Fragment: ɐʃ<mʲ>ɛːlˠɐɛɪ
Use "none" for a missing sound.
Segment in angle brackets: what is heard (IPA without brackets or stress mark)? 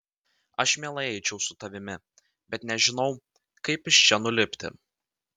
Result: mʲ